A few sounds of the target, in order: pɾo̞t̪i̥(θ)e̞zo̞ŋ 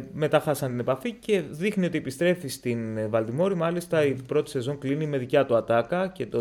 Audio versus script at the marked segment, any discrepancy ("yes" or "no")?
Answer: yes